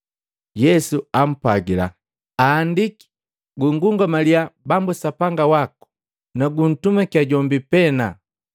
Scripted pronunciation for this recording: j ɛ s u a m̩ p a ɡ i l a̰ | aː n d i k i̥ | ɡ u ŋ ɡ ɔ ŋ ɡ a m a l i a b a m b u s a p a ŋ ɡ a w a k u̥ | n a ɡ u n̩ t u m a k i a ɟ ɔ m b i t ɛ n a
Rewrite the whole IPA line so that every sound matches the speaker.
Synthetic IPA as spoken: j ɛ s u a m̩ p a ɡ i l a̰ | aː n d i k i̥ | ɡ u ŋ ɡ u ŋ ɡ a m a l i a b a m b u s a p a ŋ ɡ a w a k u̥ | n a ɡ u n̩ t u m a k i a ɟ ɔ m b i p ɛ n a

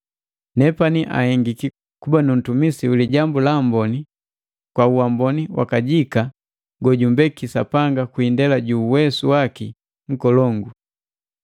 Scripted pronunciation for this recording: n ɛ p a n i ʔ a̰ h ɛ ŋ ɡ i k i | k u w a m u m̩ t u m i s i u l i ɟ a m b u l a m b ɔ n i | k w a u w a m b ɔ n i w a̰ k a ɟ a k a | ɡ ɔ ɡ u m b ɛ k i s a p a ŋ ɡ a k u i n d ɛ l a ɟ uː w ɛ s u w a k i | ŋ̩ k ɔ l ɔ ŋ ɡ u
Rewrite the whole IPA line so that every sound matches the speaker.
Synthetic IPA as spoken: n ɛ p a n i ʔ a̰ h ɛ ŋ ɡ i k i | k u b a n u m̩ t u m i s i u l i ɟ a m b u l a m b ɔ n i | k w a u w a m b ɔ n i w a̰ k a ɟ i k a | ɡ ɔ ɟ u m b ɛ k i s a p a ŋ ɡ a k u i n d ɛ l a ɟ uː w ɛ s u w a k i | ŋ̩ k ɔ l ɔ ŋ ɡ u

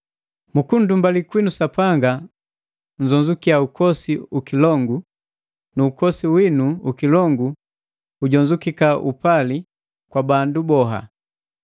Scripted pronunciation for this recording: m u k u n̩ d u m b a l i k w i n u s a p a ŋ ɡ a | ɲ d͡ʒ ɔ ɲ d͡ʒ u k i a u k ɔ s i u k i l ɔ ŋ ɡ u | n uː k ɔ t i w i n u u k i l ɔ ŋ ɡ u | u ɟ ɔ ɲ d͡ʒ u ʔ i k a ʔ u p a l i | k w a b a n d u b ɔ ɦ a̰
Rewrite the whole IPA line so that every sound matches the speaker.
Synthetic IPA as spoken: m u k u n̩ d u m b a l i k w i n u s a p a ŋ ɡ a | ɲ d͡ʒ ɔ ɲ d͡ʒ u k i a u k ɔ s i u k i l ɔ ŋ ɡ u | n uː k ɔ s i w i n u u k i l ɔ ŋ ɡ u | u ɟ ɔ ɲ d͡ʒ u k i k a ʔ u p a l i | k w a b a n d u b ɔ ɦ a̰

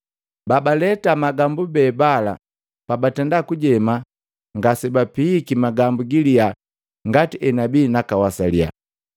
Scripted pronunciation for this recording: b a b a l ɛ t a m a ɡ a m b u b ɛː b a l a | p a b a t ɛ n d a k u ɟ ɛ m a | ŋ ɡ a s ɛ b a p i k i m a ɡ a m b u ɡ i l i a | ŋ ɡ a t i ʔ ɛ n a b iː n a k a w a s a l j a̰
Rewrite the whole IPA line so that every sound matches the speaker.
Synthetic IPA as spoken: b a b a l ɛ t a m a ɡ a m b u b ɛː b a l a | p a b a t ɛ n d a k u ɟ ɛ m a | ŋ ɡ a s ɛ b a p i k i m a ɡ a m b u ɡ i l i a | ŋ ɡ a t i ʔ ɛ n a b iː n a k a w a s a l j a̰

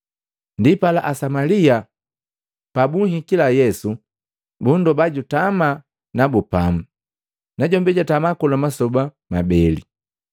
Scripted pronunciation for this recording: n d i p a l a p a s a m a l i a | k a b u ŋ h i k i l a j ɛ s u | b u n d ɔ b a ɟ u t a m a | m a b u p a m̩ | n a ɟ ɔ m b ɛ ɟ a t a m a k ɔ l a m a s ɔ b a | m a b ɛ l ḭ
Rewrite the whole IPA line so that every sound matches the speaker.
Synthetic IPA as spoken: n d i p a l a ʔ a s a m a l i a | p a b u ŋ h i k i l a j ɛ s u | b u n d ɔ b a ɟ u t a m a | n a b u p a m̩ | n a ɟ ɔ m b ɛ ɟ a t a m a k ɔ l a m a s ɔ b a | m a b ɛ l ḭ

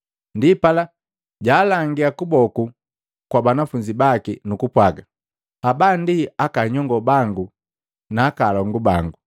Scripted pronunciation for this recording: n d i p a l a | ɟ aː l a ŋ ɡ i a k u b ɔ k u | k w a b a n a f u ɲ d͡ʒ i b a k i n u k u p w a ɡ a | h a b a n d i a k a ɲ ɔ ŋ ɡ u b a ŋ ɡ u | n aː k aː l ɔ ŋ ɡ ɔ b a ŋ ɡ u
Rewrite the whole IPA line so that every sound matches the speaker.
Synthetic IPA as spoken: n d i p a l a | ɟ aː l a ŋ ɡ i a k u b ɔ k u | k w a b a n a f u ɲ d͡ʒ i b a k i n u k u p w a ɡ a | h a b a n d i a k a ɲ ɔ ŋ ɡ ɔ b a ŋ ɡ u | n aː k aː l ɔ ŋ ɡ u b a ŋ ɡ u

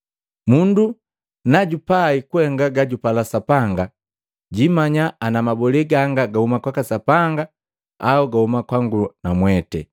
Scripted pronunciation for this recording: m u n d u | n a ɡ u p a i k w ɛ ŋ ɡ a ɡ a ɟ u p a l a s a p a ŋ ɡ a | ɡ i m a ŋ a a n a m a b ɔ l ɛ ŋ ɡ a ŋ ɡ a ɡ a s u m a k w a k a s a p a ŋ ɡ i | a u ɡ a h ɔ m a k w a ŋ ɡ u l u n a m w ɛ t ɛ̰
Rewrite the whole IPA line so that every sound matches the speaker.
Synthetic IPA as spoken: m u n d u | n a ɟ u p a i k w ɛ ŋ ɡ a ɡ a ɟ u p a l a s a p a ŋ ɡ a | ɟ i m a ɲ a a n a m a b ɔ l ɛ ɡ a ŋ ɡ a ɡ a h u m a k w a k a s a p a ŋ ɡ a | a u ɡ a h u m a k w a ŋ ɡ u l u n a m w ɛ t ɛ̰

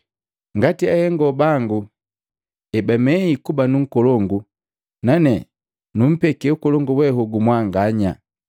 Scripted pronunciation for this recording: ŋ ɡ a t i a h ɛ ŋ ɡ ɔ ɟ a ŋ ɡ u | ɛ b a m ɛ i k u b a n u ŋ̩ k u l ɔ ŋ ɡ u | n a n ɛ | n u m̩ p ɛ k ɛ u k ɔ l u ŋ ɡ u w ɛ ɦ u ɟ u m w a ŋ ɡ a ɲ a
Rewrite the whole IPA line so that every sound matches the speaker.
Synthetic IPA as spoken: ŋ ɡ a t i a h ɛ ŋ ɡ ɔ b a ŋ ɡ u | ɛ b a m ɛ i k u b a n u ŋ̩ k ɔ l ɔ ŋ ɡ u | n a n ɛ | n u m̩ p ɛ k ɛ u k ɔ l ɔ ŋ ɡ u w ɛ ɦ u ɡ u m w a ŋ ɡ a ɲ a

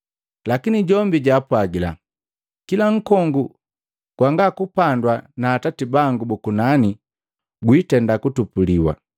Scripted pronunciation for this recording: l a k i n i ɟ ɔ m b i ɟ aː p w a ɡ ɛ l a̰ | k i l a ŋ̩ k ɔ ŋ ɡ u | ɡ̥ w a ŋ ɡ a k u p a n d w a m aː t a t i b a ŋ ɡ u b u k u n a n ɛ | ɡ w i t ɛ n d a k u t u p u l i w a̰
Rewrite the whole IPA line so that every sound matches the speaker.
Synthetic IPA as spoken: l a k i n i ɟ ɔ m b i ɟ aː p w a ɡ i l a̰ | k i l a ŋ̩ k ɔ ŋ ɡ u | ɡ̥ w a ŋ ɡ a k u p a n d w a n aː t a t i b a ŋ ɡ u b u k u n a n i | ɡ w i t ɛ n d a k u t u p u l i w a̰

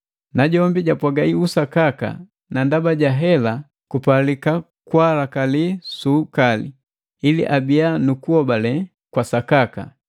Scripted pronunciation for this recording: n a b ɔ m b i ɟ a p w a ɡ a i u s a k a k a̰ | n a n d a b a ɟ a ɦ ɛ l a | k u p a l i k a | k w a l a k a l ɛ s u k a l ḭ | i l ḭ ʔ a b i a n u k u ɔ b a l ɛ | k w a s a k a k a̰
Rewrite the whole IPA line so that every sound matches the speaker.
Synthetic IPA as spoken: n a ɟ ɔ m b i ɟ a p w a ɡ a i u s a k a k a̰ | n a n d a b a ɟ a ɦ ɛ l a | k u p a l i k a | k w a l a k a l i s u k a l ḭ | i l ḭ ʔ a b i a n u k u ɔ b a l ɛ | k w a s a k a k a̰

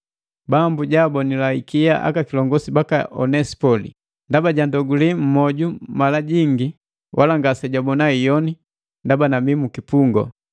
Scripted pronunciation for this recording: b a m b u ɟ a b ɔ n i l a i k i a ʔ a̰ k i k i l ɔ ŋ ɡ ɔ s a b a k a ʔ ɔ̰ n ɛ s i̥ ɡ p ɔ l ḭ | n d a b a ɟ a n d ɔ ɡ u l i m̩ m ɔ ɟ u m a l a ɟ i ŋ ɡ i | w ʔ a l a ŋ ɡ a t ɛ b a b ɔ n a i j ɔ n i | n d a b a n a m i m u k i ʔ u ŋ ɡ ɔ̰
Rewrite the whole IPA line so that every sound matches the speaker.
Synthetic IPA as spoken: b a m b u ɟ a b ɔ n i l a i k i a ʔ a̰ k a k i l ɔ ŋ ɡ ɔ s i b a k a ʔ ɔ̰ n ɛ s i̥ p ɔ l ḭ | n d a b a ɟ a n d ɔ ɡ u l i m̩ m ɔ ɟ u m a l a ɟ i ŋ ɡ i | w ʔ a l a ŋ ɡ a s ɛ ɟ a b ɔ n a i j ɔ n i | n d a b a n a m i m u k i p u ŋ ɡ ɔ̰

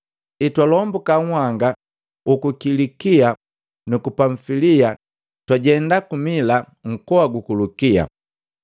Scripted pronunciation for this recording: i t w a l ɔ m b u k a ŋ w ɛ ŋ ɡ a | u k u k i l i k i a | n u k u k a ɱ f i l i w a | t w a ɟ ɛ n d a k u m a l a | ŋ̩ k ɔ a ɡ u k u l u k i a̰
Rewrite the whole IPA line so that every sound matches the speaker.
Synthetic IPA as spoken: i t w a l ɔ m b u k a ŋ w a ŋ ɡ a | u k u k i l i k i a | n u k u p a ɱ f i l i a | t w a ɟ ɛ n d a k u m i l a | ŋ̩ k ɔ a ɡ u k u l u k i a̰

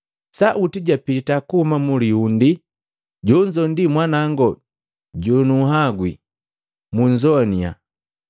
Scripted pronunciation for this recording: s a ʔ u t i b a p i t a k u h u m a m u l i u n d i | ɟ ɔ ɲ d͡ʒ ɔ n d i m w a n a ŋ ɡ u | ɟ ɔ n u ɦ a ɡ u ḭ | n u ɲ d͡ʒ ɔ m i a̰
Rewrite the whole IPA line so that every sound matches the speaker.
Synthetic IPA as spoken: s a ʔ u t i ɟ a p i t a k u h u m a m u l i u n d i | ɟ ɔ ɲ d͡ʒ ɔ n d i m w a n a ŋ ɡ ɔ | ɟ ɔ n u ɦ a ɡ w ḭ | m u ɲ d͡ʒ ɔ n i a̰

